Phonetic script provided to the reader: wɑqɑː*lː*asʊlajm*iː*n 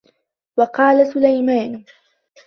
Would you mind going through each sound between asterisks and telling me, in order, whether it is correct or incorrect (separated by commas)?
incorrect, incorrect